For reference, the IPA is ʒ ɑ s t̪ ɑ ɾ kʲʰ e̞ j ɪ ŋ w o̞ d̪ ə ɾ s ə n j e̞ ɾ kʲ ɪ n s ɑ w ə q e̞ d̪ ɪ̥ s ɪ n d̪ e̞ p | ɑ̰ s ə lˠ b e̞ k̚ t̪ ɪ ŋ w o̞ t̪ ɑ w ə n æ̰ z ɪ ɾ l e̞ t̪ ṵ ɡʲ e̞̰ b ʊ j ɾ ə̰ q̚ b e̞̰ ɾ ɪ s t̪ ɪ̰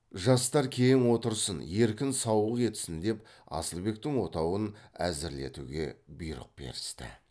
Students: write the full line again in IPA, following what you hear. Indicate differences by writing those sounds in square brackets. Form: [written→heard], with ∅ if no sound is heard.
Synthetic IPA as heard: ʒ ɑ s t̪ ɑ ɾ kʲʰ e̞ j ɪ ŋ w o̞ [d̪→t̪] ə ɾ s ə n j e̞ ɾ kʲ ɪ n s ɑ w ə q e̞ [d̪→t̪] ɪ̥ s ɪ n d̪ e̞ p | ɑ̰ s ə lˠ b e̞ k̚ t̪ ɪ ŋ w o̞ t̪ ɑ w ə n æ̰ z ɪ ɾ l e̞ t̪ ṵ ɡʲ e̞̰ b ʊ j ɾ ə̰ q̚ b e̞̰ ɾ ɪ s t̪ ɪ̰